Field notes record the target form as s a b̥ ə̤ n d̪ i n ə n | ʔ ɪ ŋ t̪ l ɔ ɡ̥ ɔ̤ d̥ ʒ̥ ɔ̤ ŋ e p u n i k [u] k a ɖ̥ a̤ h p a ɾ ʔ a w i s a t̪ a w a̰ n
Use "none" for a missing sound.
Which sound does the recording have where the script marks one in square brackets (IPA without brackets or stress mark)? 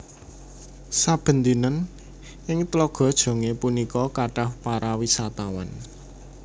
ɔ